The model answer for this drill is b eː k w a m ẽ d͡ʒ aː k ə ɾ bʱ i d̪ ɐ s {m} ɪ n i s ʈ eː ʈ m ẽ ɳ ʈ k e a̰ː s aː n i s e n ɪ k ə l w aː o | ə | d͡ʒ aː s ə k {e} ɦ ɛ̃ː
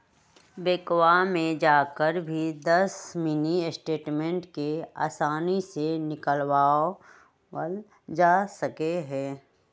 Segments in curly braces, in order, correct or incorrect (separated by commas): correct, correct